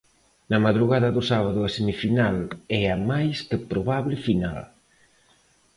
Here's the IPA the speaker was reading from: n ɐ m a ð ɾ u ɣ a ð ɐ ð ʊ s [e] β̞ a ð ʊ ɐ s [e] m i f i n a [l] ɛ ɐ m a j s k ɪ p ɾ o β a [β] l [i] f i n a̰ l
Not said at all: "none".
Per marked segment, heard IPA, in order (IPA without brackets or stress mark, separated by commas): a, e, l, β, ɪ